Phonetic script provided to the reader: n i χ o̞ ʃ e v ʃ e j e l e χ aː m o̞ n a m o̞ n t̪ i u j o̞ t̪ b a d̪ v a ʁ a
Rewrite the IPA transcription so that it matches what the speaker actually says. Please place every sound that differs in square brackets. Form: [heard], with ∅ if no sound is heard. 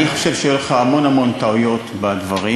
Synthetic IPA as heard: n i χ o̞ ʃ e v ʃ e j e l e χ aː m o̞ n a m o̞ n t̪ [a] u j o̞ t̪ b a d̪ v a ʁ [i]